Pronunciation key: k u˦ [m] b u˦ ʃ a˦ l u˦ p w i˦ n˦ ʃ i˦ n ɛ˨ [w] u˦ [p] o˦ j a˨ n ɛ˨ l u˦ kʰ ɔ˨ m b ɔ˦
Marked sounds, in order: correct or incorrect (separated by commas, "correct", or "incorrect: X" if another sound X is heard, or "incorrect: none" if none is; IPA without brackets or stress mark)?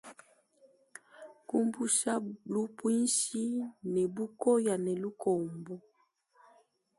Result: correct, incorrect: b, incorrect: k